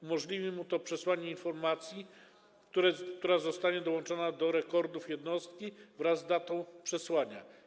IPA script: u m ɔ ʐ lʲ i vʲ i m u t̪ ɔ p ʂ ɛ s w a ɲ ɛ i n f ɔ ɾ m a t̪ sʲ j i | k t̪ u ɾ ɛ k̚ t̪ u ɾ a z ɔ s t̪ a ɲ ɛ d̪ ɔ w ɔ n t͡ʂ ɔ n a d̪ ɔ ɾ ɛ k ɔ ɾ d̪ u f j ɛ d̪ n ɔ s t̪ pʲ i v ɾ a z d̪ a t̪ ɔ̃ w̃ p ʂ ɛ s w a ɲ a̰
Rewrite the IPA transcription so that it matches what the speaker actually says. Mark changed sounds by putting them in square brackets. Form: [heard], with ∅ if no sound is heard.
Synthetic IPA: u m ɔ ʐ lʲ i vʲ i m u t̪ ɔ p ʂ ɛ s w a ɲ ɛ i n f ɔ ɾ m a t̪ sʲ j i | k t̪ u ɾ ɛ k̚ t̪ u ɾ a z ɔ s t̪ a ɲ ɛ d̪ ɔ w ɔ n t͡ʂ ɔ n a d̪ ɔ ɾ ɛ k ɔ ɾ d̪ u f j ɛ d̪ n ɔ s t̪ [kʲ] i v ɾ a z d̪ a t̪ ɔ̃ w̃ p ʂ ɛ s w a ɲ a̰